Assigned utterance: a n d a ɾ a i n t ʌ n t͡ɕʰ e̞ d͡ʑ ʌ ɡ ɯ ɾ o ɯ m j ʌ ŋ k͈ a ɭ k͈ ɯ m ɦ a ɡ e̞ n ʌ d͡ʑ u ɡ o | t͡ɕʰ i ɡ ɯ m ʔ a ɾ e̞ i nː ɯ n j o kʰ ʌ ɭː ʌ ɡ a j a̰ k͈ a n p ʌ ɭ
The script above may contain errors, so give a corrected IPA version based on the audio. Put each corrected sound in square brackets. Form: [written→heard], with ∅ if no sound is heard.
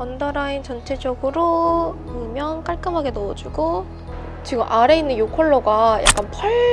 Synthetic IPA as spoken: [a→ʌ] n d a ɾ a i n [t→t͡ɕ] ʌ n t͡ɕʰ e̞ d͡ʑ ʌ ɡ ɯ ɾ o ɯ m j ʌ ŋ k͈ a ɭ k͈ ɯ m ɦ a ɡ e̞ n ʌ d͡ʑ u ɡ o | [t͡ɕʰ→t͡ɕ] i ɡ ɯ m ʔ a ɾ e̞ i nː ɯ n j o kʰ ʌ ɭː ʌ ɡ a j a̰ k͈ a n [p→pʰ] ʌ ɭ